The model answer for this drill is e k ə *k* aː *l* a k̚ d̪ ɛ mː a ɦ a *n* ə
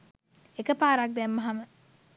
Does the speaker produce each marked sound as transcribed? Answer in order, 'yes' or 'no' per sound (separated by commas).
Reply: no, no, no